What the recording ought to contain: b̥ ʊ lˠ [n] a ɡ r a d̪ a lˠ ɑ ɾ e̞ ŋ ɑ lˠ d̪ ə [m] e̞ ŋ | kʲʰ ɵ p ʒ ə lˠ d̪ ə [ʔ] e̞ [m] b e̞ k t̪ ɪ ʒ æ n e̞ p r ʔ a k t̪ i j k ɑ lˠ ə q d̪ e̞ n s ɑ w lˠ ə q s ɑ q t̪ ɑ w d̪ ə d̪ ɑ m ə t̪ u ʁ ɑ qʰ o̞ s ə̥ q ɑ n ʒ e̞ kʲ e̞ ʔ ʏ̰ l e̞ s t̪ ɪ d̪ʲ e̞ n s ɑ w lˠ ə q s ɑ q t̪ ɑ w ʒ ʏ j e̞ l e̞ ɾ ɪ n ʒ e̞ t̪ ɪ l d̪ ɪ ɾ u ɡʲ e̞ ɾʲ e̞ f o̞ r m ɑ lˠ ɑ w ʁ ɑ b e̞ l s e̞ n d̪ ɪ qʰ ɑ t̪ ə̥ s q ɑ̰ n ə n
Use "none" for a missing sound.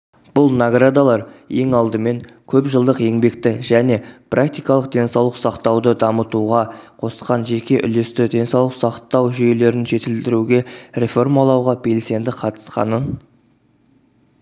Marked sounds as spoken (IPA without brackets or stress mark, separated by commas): n, m, q, ŋ